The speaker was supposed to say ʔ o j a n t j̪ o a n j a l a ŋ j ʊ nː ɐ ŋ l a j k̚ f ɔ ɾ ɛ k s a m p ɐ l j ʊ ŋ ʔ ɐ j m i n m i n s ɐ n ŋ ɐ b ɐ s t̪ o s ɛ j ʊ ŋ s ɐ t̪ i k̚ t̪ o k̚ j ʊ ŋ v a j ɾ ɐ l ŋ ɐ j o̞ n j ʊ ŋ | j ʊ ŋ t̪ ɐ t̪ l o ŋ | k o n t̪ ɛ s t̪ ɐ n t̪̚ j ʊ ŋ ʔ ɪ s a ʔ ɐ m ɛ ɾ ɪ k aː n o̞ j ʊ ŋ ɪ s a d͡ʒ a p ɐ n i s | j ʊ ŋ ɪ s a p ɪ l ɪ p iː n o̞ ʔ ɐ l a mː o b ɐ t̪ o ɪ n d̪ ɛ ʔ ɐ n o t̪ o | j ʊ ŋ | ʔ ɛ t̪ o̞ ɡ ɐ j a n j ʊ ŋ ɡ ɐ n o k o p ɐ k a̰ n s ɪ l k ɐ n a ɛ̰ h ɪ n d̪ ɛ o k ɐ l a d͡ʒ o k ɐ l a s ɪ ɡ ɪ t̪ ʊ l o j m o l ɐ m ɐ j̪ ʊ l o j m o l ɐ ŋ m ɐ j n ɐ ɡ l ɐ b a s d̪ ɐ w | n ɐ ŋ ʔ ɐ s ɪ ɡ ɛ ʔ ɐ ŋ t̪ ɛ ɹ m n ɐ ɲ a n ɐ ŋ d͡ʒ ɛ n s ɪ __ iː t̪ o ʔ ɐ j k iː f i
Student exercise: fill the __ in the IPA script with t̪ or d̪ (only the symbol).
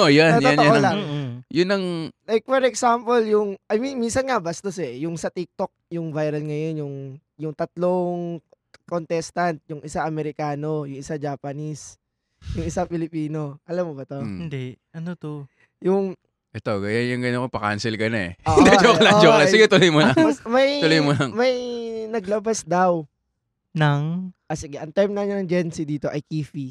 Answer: d̪